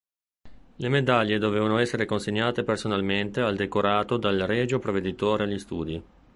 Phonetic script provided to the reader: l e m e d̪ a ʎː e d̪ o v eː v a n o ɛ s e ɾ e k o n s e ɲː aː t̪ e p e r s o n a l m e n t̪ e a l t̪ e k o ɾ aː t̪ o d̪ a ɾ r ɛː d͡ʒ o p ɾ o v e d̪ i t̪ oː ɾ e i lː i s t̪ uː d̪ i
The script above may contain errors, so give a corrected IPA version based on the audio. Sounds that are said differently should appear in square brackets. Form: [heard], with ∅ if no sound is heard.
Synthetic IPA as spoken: l e m e d̪ a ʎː e d̪ o v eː v a n o ɛ [sː] e ɾ e k o n s e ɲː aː t̪ e p e r s o n a l m e n t̪ e a l [d̪] e k o ɾ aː t̪ o d̪ a [l] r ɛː d͡ʒ o p ɾ o v e d̪ i t̪ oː ɾ e [a] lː i s t̪ uː d̪ i